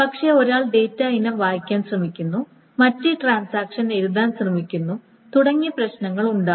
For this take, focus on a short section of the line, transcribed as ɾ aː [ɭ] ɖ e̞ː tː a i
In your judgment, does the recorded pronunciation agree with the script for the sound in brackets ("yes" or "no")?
yes